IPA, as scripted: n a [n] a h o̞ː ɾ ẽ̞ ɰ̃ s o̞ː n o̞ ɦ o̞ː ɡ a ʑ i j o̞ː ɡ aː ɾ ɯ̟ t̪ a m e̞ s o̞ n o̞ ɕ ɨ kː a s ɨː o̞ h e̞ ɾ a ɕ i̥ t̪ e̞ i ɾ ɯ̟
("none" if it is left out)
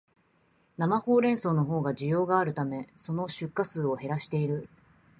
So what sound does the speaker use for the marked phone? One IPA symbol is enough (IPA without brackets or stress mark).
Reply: m